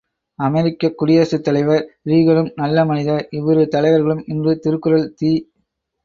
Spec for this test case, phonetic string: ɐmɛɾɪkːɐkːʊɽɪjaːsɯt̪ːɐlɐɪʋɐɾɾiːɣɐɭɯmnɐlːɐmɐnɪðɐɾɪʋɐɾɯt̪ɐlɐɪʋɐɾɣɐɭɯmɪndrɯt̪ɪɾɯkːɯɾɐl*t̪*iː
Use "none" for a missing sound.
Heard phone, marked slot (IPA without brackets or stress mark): t̪